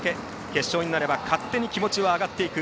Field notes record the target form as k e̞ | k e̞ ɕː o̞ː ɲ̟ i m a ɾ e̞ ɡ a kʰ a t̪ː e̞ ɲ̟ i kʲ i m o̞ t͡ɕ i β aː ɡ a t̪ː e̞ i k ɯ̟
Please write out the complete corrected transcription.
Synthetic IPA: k e̞ | k e̞ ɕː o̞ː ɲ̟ i n a ɾ e̞ b a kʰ a t̪ː e̞ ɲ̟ i kʲ i m o̞ t͡ɕ i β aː ɡ a t̪ː e̞ i k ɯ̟